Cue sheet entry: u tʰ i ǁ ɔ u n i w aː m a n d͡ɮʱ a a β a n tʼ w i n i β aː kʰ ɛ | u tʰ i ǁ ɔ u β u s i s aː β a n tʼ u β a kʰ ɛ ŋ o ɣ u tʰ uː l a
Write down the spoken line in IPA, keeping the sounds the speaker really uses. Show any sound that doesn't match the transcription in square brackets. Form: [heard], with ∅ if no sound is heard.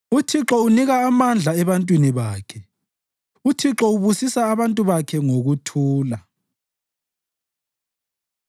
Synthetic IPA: u tʰ i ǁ ɔ u n i [ɣ] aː m a n d͡ɮʱ a [ɛ] β a n tʼ w i n i β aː kʰ ɛ | u tʰ i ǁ ɔ u β u s i s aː β a n tʼ u β a kʰ ɛ ŋ o ɣ u tʰ uː l a